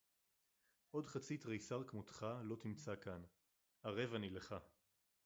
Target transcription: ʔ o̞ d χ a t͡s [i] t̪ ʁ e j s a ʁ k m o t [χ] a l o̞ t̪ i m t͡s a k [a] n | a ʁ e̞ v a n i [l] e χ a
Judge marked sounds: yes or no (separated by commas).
yes, yes, yes, yes